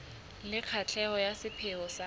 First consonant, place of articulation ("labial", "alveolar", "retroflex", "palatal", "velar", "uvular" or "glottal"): alveolar